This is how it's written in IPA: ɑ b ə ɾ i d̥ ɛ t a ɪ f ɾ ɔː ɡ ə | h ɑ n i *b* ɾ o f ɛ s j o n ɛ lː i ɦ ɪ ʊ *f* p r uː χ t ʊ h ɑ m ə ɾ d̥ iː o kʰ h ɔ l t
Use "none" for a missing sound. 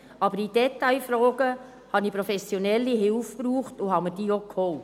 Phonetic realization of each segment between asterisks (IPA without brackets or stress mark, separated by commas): p, f